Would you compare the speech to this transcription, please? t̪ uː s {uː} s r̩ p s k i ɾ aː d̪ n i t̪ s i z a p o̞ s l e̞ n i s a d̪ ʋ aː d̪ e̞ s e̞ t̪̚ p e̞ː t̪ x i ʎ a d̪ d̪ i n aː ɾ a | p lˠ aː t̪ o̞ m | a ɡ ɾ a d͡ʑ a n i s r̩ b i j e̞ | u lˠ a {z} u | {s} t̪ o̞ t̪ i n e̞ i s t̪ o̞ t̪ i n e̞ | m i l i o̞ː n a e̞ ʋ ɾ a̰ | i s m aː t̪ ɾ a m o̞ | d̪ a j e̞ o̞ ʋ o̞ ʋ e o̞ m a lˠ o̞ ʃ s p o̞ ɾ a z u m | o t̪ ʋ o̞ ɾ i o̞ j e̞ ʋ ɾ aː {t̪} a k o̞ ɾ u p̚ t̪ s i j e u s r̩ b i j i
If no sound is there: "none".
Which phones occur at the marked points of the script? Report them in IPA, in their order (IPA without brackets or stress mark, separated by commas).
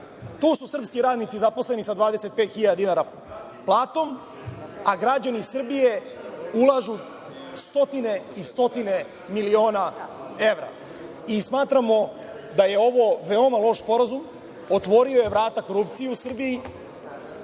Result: u, ʒ, s, t̪